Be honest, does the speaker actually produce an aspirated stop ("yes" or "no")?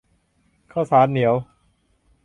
yes